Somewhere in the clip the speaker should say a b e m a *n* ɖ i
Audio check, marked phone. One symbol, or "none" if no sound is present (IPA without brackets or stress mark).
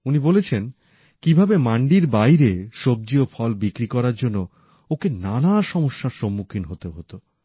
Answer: ɳ